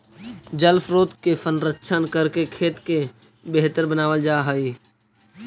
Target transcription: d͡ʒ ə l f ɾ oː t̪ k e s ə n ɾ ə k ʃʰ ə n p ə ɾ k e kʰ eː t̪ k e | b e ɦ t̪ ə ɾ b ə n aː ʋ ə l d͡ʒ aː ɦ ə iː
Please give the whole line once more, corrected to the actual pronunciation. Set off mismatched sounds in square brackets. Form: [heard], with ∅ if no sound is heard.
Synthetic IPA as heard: d͡ʒ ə l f ɾ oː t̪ k e s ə n ɾ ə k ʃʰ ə n [k] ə ɾ k e kʰ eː t̪ k e | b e ɦ t̪ ə ɾ b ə n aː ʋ ə l d͡ʒ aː ɦ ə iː